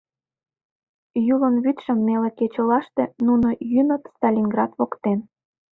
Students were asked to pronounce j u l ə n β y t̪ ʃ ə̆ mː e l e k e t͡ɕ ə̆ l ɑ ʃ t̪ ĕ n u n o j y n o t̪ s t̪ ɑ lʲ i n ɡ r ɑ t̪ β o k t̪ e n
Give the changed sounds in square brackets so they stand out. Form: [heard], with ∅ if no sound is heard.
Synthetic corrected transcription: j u l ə n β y t̪ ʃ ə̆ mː e l e k e t͡ɕ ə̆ l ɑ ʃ t̪ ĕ n u n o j y n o t̪ s t̪ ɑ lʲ i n ɡ r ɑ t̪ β o k t̪ e n